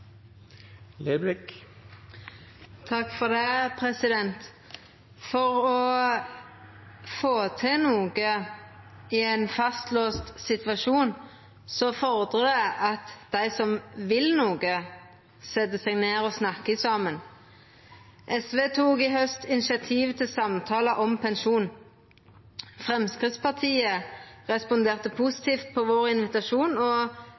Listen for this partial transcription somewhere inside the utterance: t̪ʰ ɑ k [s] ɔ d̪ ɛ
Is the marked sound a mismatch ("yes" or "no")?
yes